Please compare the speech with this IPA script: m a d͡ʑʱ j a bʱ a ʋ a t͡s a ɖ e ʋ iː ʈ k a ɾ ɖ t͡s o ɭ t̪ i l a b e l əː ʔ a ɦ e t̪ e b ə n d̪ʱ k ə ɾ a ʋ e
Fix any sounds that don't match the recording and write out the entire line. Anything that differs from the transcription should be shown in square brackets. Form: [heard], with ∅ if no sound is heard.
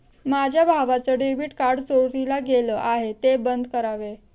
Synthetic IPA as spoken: m a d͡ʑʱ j a bʱ a ʋ a t͡s [ə] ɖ e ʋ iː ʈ k a ɾ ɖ t͡s o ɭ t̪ i l a [ɡ] e l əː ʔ a ɦ e t̪ e b ə n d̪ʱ k ə ɾ a ʋ e